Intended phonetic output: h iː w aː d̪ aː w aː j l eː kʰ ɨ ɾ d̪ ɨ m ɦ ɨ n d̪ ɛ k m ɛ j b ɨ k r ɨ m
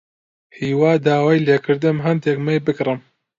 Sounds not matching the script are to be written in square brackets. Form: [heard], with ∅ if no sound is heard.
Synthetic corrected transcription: h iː w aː d̪ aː w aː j l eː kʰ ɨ ɾ d̪ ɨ m ɦ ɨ n d̪ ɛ k m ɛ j b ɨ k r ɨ m